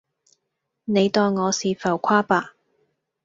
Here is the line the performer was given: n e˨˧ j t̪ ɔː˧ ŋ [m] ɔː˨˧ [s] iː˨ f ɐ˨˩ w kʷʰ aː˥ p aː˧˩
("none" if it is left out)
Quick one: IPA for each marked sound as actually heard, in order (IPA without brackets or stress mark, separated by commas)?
ŋ, s